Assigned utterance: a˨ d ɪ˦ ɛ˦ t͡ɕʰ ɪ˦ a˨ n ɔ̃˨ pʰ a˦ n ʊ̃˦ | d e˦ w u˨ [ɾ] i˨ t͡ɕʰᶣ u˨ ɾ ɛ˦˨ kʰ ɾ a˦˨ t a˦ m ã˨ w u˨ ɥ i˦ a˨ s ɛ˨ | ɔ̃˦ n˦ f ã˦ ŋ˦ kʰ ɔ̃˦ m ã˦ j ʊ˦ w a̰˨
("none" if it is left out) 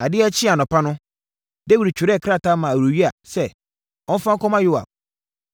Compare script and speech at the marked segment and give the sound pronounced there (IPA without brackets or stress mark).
ɾ